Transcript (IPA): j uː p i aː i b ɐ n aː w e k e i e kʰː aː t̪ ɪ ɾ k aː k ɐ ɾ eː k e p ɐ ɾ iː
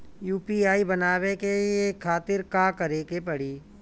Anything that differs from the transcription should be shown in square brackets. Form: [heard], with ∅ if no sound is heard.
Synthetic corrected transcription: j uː p i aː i b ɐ n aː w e k e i e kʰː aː t̪ ɪ ɾ k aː k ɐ ɾ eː k e p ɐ [ɽ] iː